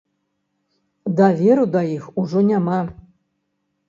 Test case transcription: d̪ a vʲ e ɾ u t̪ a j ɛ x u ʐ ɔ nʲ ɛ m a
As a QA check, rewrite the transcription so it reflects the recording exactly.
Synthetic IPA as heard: d̪ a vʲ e ɾ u d̪ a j i x u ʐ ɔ nʲ a m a